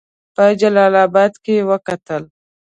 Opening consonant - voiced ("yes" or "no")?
no